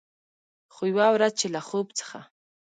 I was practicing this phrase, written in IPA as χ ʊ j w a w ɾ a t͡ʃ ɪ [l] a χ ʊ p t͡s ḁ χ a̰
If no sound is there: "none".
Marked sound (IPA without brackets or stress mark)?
l